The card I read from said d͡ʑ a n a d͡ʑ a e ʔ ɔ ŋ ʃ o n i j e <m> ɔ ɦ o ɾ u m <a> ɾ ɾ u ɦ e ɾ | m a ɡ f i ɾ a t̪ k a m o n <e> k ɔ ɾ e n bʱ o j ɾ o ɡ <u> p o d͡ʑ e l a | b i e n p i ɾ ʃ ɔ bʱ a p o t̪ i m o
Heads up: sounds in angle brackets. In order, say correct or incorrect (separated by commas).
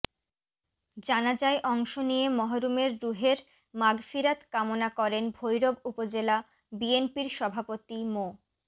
correct, incorrect, incorrect, correct